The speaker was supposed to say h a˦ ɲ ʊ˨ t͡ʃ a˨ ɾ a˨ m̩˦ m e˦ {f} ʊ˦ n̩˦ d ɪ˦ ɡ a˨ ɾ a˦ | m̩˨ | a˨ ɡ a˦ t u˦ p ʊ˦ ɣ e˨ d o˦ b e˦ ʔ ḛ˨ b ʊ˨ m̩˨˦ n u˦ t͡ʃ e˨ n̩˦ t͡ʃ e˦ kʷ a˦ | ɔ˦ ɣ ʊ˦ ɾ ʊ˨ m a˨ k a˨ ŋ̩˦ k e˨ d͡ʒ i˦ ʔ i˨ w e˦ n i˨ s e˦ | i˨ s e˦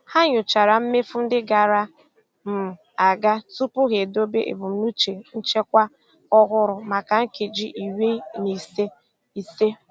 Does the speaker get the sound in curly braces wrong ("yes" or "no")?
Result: no